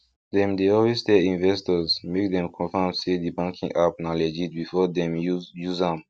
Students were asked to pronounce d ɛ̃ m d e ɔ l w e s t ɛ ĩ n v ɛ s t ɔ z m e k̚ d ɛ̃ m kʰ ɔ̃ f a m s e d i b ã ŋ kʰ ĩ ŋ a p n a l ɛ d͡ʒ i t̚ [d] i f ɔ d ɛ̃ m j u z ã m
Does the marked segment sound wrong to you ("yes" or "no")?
yes